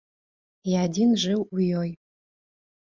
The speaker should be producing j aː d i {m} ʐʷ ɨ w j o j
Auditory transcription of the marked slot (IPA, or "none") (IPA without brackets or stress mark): n